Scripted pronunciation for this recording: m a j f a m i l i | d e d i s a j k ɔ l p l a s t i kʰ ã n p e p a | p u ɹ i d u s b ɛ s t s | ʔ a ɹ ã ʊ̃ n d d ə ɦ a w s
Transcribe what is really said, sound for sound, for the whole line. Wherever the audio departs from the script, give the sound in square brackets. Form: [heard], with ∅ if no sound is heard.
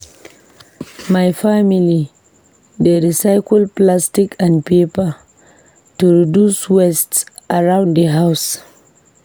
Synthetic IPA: m a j f a m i l i | d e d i s a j k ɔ l p l a s t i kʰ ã n p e p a | [t] u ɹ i d u s [w] ɛ s t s | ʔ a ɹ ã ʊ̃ n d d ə ɦ a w s